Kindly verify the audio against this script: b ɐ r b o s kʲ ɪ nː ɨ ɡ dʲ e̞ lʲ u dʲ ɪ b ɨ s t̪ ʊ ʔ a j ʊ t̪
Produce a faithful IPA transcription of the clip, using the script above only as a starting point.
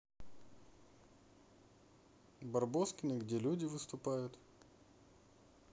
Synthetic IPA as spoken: b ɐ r b o s kʲ ɪ n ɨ ɡ dʲ e̞ lʲ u dʲ ɪ v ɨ s t̪ ʊ p a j ʊ t̪